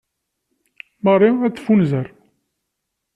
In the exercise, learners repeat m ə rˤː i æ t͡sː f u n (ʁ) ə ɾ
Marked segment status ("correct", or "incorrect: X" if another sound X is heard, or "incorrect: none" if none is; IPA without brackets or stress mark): incorrect: z